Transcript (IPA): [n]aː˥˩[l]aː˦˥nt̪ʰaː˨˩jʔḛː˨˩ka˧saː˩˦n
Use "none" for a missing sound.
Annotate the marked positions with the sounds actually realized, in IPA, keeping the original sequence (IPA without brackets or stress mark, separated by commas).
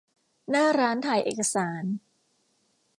n, ɾ